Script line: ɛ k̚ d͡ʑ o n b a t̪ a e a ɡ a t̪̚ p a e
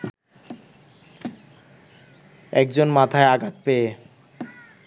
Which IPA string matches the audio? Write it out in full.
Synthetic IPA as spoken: ɛ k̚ d͡ʑ o n m a t̪ʰ a e a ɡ a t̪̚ p e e